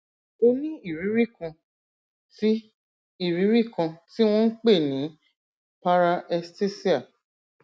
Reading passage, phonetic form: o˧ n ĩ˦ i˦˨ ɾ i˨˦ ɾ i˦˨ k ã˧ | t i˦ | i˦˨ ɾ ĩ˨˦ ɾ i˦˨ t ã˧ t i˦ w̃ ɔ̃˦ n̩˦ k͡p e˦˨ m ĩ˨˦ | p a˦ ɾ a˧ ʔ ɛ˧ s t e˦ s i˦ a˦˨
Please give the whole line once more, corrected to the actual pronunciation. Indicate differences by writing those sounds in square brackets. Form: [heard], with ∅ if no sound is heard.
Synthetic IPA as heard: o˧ n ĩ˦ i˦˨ ɾ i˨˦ ɾ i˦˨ k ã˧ | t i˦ | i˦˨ ɾ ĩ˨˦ ɾ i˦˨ [k] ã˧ t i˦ w̃ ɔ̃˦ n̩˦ k͡p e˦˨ [n] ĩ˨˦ | p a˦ ɾ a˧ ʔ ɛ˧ s t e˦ s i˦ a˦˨